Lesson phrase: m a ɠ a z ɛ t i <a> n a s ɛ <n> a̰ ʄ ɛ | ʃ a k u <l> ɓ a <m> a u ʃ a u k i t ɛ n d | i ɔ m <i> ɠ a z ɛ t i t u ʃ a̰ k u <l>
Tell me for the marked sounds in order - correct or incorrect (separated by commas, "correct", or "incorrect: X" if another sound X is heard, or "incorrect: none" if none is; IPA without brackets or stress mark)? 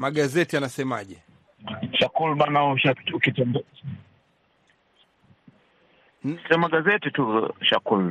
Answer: correct, incorrect: m, correct, incorrect: n, incorrect: a, correct